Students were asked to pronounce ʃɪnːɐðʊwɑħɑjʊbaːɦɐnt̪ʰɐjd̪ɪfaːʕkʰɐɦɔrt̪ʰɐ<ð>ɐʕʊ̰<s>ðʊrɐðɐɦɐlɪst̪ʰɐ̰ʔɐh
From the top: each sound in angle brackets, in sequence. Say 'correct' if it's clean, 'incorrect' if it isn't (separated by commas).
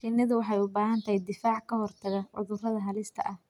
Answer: incorrect, incorrect